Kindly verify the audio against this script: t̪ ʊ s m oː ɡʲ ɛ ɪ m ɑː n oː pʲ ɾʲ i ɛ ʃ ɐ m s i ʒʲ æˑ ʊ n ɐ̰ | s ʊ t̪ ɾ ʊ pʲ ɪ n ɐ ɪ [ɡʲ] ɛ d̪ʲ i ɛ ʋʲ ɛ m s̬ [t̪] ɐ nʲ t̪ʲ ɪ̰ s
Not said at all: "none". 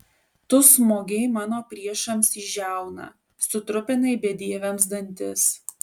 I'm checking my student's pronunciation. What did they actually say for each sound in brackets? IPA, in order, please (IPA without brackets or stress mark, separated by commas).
bʲ, d̪